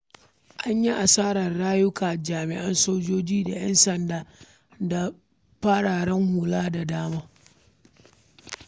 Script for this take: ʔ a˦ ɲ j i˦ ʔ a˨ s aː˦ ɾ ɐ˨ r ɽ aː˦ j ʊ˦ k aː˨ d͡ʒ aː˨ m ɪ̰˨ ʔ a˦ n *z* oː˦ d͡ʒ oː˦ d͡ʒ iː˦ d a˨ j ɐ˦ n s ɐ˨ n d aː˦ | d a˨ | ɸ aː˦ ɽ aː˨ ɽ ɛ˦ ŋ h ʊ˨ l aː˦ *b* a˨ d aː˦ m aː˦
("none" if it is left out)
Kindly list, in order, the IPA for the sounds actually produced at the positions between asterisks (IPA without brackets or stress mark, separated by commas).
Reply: s, d